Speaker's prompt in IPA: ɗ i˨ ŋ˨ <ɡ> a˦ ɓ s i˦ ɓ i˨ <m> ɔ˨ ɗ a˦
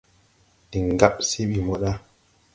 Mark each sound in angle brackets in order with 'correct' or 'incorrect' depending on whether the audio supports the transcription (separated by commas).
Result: correct, correct